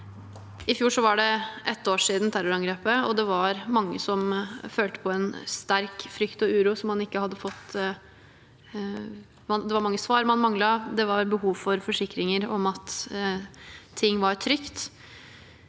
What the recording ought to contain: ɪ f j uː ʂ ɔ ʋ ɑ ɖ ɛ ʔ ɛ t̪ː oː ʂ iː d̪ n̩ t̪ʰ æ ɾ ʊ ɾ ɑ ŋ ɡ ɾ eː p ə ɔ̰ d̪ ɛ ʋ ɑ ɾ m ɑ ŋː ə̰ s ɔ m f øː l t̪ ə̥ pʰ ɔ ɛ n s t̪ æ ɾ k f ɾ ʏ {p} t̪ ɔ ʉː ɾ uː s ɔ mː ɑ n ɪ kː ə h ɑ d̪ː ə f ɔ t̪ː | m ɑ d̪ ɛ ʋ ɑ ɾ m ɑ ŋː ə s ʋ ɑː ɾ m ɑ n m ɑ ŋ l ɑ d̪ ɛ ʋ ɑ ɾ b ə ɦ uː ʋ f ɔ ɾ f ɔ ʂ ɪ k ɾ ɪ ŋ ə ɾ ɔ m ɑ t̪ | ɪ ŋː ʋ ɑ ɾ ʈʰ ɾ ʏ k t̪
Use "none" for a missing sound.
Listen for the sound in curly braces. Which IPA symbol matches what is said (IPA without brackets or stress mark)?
k